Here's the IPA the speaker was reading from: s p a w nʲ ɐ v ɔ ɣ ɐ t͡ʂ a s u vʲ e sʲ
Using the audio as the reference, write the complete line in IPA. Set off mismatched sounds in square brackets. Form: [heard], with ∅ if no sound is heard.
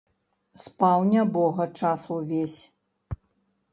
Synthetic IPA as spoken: s p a w nʲ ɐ [b] ɔ ɣ ɐ t͡ʂ a s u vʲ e sʲ